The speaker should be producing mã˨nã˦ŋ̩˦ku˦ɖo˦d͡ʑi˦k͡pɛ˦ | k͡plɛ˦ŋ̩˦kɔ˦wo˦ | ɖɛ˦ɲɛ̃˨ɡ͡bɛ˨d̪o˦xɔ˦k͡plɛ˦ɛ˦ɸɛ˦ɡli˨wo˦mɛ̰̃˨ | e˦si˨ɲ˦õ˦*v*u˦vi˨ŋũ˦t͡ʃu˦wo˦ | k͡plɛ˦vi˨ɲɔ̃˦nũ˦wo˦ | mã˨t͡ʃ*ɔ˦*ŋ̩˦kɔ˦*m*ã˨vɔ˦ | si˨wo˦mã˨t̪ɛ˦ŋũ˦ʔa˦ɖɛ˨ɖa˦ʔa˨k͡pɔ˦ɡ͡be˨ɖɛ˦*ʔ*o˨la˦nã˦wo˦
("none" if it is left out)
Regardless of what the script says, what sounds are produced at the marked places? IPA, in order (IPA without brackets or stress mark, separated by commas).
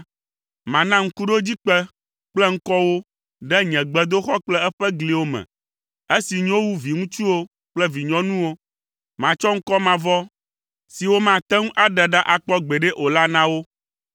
w, ɔ˦, m, ʔ